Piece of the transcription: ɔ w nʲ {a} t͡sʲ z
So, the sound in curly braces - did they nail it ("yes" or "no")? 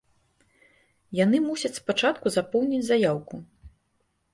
no